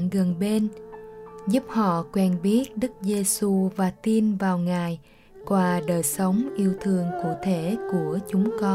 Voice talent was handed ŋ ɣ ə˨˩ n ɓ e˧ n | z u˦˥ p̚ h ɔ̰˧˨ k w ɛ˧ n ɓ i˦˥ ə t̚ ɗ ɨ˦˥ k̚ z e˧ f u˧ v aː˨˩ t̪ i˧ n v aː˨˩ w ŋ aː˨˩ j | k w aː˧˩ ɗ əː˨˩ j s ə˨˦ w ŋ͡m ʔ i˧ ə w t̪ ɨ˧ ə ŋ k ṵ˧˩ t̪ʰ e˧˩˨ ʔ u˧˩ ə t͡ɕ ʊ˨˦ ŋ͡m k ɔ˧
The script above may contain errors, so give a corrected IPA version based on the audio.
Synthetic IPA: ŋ ɣ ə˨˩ n ɓ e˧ n | z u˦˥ p̚ h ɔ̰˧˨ k w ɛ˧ n ɓ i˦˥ ə t̚ ɗ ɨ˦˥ k̚ z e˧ s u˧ v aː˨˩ t̪ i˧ n v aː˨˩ w ŋ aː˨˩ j | k w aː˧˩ ɗ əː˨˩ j s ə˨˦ w ŋ͡m ʔ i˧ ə w t̪ʰ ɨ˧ ə ŋ k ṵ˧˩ t̪ʰ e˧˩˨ k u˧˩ ə t͡ɕ ʊ˨˦ ŋ͡m k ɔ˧